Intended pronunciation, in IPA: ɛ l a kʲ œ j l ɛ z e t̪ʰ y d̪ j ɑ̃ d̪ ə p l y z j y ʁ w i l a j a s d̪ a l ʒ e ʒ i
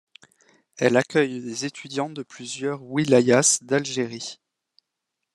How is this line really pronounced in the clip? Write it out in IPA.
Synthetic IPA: ɛ l a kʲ œ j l e z e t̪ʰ y d̪ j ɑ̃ d̪ ə p l y z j œ ʁ w i l a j a s d̪ a l ʒ e ʁ i